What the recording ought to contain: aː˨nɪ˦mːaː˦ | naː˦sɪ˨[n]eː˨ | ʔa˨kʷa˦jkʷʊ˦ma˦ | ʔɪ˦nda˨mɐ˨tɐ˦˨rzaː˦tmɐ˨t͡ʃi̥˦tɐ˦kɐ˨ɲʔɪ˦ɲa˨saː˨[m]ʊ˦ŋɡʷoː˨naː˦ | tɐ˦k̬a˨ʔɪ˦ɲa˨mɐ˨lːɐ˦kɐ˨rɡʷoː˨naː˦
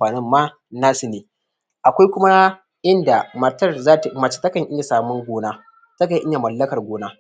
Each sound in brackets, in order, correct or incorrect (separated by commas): correct, correct